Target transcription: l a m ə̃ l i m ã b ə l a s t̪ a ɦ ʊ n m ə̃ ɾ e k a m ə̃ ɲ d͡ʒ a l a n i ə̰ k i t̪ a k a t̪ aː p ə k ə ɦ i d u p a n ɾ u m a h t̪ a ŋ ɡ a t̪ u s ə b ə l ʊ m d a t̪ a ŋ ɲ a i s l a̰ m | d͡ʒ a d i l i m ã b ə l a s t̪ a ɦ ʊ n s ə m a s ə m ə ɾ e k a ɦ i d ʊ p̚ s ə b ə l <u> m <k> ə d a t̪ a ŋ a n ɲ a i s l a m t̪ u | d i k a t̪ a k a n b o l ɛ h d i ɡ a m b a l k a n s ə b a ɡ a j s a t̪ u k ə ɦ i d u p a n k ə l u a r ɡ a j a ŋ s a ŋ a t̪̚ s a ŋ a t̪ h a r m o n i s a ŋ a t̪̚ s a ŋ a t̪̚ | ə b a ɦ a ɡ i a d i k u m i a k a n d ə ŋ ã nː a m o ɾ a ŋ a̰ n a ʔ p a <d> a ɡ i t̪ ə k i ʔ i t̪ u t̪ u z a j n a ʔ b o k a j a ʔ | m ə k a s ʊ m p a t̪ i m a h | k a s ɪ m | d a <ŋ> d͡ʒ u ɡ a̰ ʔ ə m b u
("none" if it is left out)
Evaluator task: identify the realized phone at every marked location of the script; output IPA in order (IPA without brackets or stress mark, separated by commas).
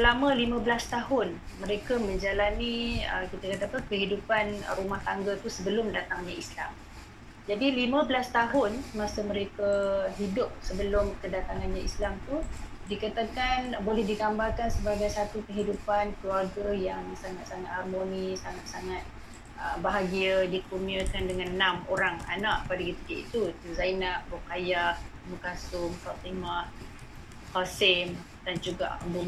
ʊ, k, d, n